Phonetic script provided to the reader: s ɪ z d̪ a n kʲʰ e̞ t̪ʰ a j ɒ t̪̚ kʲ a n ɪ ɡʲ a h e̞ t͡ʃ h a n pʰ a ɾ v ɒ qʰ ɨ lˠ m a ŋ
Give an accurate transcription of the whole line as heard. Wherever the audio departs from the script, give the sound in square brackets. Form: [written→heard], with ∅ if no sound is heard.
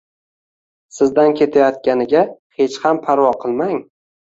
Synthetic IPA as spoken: s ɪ z d̪ a n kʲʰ e̞ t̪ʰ a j ɒ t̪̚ kʲ a n ɪ ɡʲ a h e̞ t͡ʃ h a [n→m] pʰ a ɾ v ɒ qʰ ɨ lˠ m a ŋ

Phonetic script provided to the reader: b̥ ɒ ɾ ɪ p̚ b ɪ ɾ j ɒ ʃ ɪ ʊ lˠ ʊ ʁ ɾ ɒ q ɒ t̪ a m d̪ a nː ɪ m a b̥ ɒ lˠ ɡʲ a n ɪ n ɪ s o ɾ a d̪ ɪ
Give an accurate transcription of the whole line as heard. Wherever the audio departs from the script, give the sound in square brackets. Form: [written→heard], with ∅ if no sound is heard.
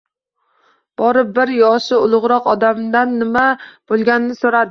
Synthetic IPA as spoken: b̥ ɒ ɾ ɪ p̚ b ɪ ɾ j ɒ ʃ ɪ ʊ lˠ ʊ ʁ ɾ ɒ q ɒ [t̪→d̪] a m d̪ a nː ɪ m a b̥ [ɒ→o] lˠ ɡʲ a n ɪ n ɪ s o ɾ a d̪ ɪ

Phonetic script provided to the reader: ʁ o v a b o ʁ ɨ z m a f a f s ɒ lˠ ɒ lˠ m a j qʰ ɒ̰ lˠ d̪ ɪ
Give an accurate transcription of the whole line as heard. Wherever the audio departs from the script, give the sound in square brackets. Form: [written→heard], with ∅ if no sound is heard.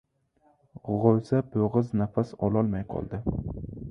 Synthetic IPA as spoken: ʁ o [v→z] a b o ʁ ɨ z [m→n] a f a [f→∅] s ɒ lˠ ɒ lˠ m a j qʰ ɒ̰ lˠ d̪ ɪ

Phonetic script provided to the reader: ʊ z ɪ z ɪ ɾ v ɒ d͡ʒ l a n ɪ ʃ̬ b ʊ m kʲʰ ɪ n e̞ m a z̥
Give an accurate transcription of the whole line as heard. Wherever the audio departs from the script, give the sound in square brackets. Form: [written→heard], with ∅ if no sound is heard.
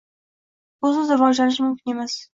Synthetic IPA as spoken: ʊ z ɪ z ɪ ɾ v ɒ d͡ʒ l a n ɪ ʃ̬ [b→m] ʊ m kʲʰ ɪ n e̞ m a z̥

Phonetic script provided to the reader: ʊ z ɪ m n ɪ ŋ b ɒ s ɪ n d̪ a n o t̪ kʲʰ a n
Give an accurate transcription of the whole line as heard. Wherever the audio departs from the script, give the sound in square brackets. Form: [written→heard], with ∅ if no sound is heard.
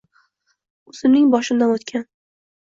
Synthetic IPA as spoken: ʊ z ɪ m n ɪ ŋ b ɒ [s→ʃ] ɪ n d̪ a n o t̪ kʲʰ a n

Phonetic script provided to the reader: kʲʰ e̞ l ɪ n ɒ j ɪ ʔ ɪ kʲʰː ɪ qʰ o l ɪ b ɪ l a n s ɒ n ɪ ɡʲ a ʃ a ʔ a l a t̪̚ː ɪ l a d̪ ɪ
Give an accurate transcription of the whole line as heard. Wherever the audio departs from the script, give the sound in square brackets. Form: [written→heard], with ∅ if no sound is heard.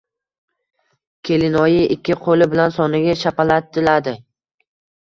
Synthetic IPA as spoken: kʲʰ e̞ l ɪ n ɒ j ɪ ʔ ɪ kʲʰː ɪ qʰ o l ɪ b ɪ l a n s ɒ n ɪ ɡʲ a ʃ a [ʔ→p] a l a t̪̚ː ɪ l a d̪ ɪ

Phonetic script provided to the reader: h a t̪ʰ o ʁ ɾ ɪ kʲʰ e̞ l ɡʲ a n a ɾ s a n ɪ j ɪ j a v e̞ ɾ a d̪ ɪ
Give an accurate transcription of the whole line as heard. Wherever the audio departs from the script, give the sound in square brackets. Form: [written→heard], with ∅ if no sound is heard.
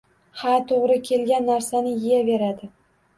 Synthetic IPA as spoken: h a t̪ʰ o ʁ ɾ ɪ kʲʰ e̞ l ɡʲ a [n→nː] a ɾ s a n ɪ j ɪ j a v e̞ ɾ a d̪ ɪ

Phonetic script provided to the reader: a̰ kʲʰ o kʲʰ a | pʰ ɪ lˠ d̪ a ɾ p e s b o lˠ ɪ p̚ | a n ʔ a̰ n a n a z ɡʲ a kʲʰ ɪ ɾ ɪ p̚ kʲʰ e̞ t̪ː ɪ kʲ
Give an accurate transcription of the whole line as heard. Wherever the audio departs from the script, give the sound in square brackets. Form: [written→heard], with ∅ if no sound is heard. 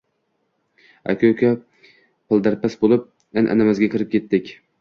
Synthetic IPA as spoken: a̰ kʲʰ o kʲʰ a | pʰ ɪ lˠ d̪ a ɾ p [e→a] s b o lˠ ɪ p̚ | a n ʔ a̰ n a [n→m] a z ɡʲ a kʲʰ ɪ ɾ ɪ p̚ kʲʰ e̞ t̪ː ɪ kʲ

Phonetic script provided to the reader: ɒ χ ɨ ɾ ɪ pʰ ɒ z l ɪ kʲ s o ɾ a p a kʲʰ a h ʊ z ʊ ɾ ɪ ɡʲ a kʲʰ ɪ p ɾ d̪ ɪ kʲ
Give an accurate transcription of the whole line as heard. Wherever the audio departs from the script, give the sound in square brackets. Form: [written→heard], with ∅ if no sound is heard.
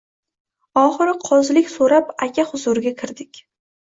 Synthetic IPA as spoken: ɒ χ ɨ ɾ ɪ [pʰ→qʰ] ɒ z l ɪ kʲ s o ɾ a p a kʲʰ a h ʊ z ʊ ɾ ɪ ɡʲ a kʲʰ ɪ [p→∅] ɾ d̪ ɪ kʲ

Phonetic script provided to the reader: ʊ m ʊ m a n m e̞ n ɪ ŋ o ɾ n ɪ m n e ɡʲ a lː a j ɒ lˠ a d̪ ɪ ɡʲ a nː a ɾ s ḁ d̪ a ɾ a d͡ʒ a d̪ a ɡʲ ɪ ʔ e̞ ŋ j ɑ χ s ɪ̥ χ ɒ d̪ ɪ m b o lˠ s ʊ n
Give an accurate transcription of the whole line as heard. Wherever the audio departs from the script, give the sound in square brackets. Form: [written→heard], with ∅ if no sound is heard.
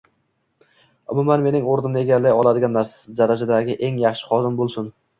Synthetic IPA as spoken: ʊ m ʊ m a n m e̞ n ɪ ŋ o ɾ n ɪ m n e ɡʲ a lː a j ɒ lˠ a d̪ ɪ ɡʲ a nː a ɾ s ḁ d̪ a ɾ a d͡ʒ a d̪ a ɡʲ ɪ ʔ e̞ ŋ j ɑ χ [s→ʃ] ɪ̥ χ ɒ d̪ ɪ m b o lˠ s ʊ n

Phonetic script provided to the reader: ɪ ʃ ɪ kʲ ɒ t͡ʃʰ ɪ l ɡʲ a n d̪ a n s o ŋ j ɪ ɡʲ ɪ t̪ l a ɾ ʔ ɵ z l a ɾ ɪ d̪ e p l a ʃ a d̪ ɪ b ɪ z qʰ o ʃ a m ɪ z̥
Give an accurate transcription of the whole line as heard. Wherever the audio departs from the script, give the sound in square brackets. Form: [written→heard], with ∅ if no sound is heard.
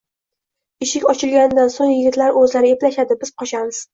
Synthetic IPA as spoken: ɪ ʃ ɪ kʲ ɒ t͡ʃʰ ɪ l ɡʲ a n d̪ a n s o ŋ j ɪ ɡʲ ɪ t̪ l a ɾ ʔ ɵ z l a ɾ ɪ [d̪→∅] e p l a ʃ a d̪ ɪ b ɪ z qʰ [o→ɒ] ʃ a m ɪ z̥

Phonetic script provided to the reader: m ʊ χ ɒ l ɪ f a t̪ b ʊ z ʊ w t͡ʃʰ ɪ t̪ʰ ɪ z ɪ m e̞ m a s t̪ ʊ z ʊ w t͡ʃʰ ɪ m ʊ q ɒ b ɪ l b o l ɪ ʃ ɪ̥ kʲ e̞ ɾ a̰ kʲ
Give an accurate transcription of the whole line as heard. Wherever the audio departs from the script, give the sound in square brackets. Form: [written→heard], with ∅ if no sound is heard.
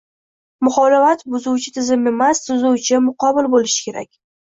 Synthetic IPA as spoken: m ʊ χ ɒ l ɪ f a t̪ b ʊ z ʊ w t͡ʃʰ ɪ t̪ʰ ɪ z ɪ m e̞ m a s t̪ ʊ z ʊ w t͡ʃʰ ɪ m ʊ q ɒ b ɪ l b o l ɪ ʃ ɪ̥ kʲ e̞ ɾ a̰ kʲ

